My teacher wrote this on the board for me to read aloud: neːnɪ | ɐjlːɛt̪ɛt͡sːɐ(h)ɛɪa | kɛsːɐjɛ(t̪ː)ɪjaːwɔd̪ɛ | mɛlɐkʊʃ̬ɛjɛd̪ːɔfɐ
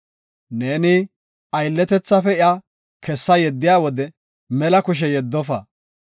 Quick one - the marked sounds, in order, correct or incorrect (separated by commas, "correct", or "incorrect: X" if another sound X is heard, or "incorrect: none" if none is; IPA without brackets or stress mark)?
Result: incorrect: f, incorrect: d̪ː